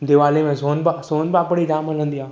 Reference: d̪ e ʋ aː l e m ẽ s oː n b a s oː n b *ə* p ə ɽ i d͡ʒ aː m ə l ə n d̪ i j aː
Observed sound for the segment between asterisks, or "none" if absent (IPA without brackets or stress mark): a